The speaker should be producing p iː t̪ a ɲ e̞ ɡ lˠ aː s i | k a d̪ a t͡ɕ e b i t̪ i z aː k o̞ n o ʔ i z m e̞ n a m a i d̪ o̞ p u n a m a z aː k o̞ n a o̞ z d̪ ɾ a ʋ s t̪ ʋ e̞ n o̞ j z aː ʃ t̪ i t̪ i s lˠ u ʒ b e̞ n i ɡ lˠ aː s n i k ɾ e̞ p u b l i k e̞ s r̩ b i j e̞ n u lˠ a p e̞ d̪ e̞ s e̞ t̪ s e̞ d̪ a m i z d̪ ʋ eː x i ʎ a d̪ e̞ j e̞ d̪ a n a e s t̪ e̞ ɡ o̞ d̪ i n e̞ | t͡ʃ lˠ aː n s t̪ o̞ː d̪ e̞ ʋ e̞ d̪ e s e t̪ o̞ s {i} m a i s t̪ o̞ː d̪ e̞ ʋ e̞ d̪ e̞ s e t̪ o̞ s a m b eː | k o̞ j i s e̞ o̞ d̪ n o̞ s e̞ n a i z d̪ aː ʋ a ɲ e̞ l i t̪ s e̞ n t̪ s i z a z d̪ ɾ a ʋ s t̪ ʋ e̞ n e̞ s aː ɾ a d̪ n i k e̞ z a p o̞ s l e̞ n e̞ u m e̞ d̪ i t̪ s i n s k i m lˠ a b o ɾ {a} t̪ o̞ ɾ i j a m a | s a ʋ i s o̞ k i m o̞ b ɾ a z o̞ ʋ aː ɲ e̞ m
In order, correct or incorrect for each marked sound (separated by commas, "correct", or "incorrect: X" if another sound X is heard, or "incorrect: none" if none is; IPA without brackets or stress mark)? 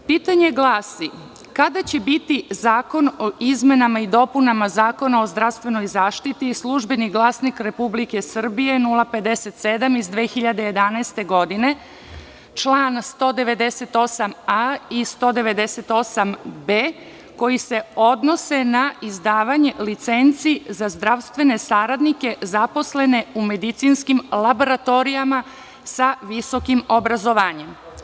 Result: incorrect: a, correct